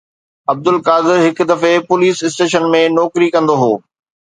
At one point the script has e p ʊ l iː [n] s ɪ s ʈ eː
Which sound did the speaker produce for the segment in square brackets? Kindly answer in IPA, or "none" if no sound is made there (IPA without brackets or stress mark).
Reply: none